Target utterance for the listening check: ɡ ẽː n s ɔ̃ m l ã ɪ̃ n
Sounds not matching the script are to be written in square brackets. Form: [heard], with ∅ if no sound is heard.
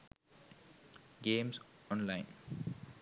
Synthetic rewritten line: ɡ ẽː [m] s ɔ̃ [n] l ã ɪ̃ n

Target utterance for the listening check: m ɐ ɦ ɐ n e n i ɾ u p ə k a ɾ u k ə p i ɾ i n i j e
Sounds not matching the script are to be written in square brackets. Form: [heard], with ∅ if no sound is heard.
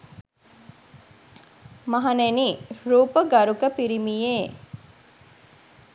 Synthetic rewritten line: m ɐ ɦ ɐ n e n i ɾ [uː] p ə [ɡ] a ɾ u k ə p i ɾ i [m] i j e

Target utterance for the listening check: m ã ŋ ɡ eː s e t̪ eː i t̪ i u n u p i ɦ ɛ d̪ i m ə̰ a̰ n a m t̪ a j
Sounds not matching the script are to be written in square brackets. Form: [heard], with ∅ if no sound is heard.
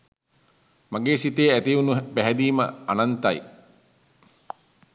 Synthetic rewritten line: m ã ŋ ɡ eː s [i] t̪ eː [æ] t̪ i u n u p [æ] ɦ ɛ d̪ [iː] m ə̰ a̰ n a [n] t̪ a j

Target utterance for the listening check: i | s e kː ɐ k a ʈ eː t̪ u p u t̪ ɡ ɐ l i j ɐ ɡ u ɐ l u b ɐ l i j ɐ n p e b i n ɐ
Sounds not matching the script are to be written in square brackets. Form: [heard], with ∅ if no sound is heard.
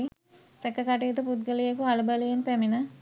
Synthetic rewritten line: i | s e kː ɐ k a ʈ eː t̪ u p u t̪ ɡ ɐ l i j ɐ [k] u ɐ l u b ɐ l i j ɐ n p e [m] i n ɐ

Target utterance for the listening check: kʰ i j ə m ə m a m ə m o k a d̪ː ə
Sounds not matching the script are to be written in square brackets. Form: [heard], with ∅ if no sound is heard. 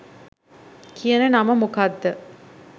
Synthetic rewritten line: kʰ i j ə [n] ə [n] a m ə m [u] k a d̪ː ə

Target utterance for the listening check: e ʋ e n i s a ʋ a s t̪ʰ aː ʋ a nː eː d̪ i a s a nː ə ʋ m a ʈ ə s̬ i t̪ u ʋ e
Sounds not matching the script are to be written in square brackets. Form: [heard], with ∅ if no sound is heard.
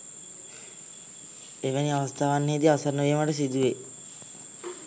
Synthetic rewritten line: e ʋ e n i [∅] a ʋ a s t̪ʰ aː ʋ a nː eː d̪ i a s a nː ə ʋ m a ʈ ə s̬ i [d̪] u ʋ e

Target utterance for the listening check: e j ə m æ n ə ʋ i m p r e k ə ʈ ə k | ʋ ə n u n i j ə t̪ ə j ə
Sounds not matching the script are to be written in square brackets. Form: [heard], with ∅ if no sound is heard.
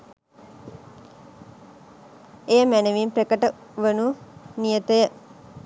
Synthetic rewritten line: e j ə m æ n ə ʋ i m p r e k ə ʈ ə [∅] | ʋ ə n u n i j ə t̪ ə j ə

